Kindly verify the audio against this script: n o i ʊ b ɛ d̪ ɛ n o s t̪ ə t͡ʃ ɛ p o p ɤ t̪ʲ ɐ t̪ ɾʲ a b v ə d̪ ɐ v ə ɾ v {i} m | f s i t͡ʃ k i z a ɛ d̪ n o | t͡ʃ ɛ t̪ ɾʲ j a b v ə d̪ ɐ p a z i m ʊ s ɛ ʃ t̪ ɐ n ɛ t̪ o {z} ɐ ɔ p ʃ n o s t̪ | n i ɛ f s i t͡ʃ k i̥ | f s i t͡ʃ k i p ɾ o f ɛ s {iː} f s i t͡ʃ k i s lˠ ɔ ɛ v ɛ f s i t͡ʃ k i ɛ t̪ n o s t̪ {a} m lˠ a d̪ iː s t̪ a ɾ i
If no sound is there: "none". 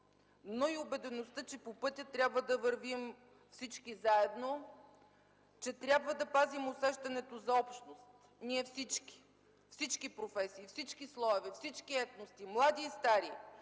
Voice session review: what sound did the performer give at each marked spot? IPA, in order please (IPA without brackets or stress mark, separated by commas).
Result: i, z, iː, i